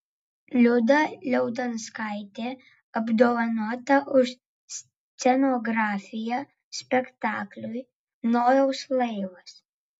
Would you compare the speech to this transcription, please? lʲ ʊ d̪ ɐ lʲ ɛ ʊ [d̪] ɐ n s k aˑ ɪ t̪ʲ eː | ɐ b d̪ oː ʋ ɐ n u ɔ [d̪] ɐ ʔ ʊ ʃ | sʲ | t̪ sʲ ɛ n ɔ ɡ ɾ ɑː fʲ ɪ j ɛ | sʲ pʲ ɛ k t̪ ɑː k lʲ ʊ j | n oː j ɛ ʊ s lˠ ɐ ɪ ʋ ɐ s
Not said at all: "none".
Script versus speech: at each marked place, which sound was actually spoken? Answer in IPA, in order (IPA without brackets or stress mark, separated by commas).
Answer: d̪, t̪